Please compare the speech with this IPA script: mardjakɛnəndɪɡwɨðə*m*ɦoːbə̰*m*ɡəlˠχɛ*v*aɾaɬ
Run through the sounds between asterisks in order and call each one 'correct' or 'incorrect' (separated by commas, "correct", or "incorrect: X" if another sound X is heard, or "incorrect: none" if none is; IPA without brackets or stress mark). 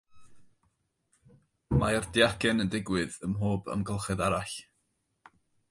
correct, correct, incorrect: ð